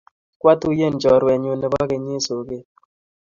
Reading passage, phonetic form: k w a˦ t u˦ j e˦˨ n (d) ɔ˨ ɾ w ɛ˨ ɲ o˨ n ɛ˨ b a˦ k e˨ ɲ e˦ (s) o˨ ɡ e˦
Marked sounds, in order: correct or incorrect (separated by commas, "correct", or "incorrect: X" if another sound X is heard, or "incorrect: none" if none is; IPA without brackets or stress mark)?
incorrect: d͡ʒ, correct